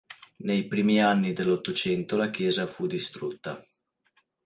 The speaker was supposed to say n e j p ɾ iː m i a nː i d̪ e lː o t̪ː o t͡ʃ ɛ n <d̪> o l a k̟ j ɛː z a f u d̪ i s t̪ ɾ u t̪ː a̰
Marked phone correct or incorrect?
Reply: incorrect